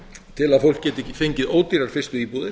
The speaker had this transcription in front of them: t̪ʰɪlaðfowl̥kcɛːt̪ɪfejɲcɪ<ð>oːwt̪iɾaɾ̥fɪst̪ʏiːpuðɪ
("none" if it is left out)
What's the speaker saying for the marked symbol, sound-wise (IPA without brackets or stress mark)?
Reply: ð